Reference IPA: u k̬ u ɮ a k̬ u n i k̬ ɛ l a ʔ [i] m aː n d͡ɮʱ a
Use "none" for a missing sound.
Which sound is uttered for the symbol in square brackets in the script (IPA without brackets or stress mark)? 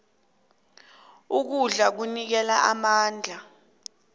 a